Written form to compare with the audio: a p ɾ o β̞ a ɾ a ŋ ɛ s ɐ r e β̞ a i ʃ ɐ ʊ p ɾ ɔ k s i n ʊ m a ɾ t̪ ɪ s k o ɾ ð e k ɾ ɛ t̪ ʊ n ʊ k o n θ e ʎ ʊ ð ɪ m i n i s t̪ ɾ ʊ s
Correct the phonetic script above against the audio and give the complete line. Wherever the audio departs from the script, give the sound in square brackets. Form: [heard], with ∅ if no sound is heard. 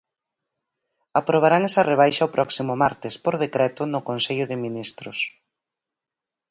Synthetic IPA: a p ɾ o β̞ a ɾ a ŋ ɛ s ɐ r e β̞ a [j] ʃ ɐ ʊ p ɾ ɔ k s i [m] ʊ m a ɾ t̪ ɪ s [p] o ɾ ð e k ɾ ɛ t̪ ʊ n ʊ k o n [s] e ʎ ʊ ð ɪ m i n i s t̪ ɾ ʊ s